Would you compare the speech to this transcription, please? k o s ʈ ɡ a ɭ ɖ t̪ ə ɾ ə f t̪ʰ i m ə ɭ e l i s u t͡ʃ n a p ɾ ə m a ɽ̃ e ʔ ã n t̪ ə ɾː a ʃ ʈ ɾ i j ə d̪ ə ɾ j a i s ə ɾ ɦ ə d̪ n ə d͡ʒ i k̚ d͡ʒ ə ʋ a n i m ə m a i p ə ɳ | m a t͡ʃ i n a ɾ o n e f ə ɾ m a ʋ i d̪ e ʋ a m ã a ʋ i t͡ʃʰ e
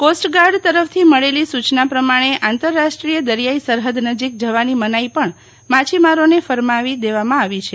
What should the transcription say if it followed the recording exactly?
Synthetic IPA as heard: k o s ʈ ɡ a ɾ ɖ t̪ ə ɾ ə f t̪ʰ i m ə ɭ e l i s u t͡ʃ n a p ɾ ə m a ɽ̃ e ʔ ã n t̪ ə ɾː a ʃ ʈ ɾ i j ə d̪ ə ɾ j a i s ə ɾ ɦ ə d̪ n ə d͡ʒ i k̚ d͡ʒ ə ʋ a n i m ə n a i p ə ɳ | m a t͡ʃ i m a ɾ o n e f ə ɾ m a ʋ i d̪ e ʋ a m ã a ʋ i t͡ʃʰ e